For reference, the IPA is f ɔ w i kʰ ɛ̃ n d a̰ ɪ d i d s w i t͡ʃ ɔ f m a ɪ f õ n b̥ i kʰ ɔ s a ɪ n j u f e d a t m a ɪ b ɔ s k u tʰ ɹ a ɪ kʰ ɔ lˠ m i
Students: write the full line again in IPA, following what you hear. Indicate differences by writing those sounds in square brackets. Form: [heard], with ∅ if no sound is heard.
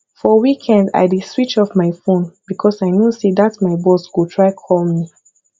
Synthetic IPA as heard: f ɔ w i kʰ ɛ̃ n d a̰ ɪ d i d s w i t͡ʃ ɔ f m a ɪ f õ n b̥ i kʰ ɔ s a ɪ n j u [s] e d a t m a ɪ b ɔ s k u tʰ ɹ a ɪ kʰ ɔ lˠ m i